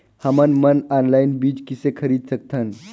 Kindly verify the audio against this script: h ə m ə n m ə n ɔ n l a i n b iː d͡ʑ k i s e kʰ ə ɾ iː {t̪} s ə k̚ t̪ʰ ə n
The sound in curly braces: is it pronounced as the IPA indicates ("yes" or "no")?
no